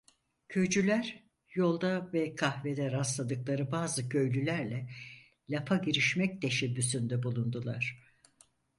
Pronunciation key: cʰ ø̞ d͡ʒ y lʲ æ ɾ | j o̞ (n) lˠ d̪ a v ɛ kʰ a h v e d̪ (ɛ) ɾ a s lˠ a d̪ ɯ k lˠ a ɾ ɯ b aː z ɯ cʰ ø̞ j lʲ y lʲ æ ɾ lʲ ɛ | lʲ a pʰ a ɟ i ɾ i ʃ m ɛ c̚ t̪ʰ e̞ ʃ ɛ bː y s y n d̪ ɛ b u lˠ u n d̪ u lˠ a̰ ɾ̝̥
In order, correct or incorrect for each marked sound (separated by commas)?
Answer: incorrect, correct